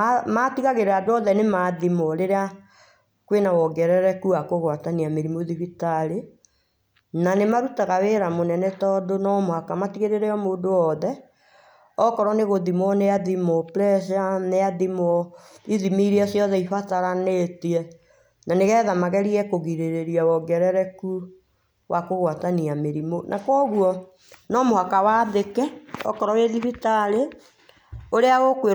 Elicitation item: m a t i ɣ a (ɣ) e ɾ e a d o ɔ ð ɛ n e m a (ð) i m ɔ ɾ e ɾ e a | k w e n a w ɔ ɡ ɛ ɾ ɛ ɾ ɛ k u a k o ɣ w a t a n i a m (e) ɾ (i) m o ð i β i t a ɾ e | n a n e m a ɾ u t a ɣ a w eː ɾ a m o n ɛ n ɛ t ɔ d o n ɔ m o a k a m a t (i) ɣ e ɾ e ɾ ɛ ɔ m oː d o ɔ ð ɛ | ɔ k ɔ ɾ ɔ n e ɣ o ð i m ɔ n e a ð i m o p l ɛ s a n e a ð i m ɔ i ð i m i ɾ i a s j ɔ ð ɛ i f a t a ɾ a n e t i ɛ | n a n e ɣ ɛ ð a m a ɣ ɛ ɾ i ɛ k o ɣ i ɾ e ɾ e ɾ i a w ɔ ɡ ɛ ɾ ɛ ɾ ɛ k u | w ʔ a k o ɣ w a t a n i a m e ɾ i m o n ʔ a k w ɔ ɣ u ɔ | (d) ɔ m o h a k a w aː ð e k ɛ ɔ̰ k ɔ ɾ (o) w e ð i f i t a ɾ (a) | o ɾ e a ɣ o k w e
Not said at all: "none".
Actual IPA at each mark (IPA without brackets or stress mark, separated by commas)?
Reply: ɣ, ð, e, i, i, n, ɔ, e